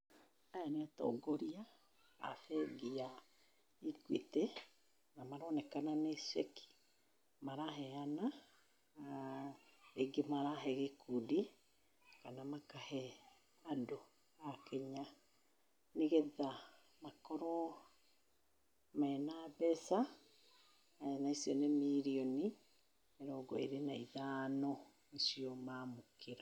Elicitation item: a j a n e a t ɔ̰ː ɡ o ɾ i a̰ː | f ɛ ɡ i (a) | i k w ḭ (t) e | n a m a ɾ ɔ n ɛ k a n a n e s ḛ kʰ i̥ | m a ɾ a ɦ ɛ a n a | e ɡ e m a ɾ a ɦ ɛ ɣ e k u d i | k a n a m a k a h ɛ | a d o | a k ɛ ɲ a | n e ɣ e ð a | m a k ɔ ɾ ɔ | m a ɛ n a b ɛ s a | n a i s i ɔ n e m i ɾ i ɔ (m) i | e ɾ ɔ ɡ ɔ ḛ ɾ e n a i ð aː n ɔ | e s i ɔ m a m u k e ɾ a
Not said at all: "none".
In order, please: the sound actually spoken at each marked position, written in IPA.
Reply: a, t, n

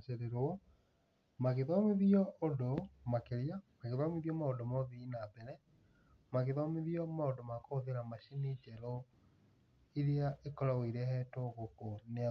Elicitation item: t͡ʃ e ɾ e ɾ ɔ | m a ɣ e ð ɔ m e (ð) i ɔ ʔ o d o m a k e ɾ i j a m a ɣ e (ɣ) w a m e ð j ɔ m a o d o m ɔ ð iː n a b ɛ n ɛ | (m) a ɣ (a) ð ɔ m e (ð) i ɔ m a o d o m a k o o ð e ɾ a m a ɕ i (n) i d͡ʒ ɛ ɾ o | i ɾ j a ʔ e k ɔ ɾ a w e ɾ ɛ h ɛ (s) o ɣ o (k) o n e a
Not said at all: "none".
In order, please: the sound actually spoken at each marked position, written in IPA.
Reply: ð, ð, m, e, ð, n, t, k

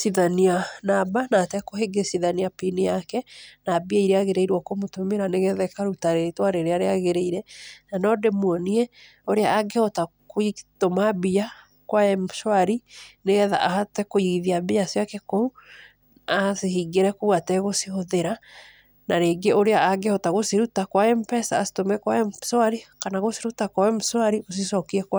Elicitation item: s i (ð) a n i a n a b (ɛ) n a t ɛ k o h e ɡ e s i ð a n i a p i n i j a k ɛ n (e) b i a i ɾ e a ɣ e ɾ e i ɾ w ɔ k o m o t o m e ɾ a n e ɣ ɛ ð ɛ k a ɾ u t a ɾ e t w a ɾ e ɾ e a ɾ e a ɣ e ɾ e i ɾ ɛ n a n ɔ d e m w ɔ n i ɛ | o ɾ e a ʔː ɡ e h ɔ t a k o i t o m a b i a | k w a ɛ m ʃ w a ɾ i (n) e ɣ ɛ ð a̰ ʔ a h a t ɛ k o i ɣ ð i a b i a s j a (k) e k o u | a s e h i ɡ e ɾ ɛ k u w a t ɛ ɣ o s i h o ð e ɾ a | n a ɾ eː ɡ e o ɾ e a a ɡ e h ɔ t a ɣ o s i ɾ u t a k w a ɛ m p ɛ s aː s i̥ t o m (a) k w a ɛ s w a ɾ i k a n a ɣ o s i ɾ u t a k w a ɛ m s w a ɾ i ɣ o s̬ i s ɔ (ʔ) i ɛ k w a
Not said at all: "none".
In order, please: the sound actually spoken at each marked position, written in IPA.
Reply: ð, a, a, n, k, ɛ, k

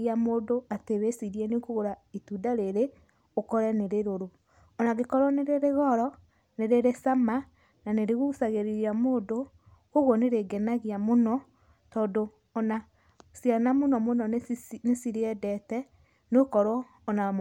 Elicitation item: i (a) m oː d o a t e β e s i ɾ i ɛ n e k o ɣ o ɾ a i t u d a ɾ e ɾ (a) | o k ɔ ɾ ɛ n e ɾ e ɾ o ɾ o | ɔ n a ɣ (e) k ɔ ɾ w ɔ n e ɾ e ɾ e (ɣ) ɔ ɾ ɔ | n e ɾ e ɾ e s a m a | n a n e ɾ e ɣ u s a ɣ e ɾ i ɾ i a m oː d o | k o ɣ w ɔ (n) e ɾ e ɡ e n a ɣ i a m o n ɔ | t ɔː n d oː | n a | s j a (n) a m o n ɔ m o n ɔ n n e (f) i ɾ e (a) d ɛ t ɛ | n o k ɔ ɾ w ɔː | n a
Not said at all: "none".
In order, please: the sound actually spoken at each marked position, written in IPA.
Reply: a, e, e, ɣ, n, n, s, ɛ

